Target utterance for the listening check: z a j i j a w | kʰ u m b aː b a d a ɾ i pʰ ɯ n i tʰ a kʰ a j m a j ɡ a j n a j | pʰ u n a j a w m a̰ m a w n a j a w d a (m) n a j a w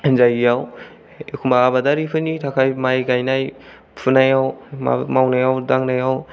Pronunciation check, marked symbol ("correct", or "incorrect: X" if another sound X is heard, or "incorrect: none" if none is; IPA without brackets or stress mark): incorrect: ŋ